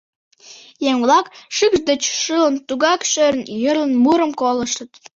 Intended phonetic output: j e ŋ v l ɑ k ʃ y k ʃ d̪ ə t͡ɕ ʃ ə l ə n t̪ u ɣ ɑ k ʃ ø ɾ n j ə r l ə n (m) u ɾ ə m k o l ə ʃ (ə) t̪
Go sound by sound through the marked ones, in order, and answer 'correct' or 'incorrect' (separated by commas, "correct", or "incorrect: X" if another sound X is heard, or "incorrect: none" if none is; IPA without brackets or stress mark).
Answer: correct, correct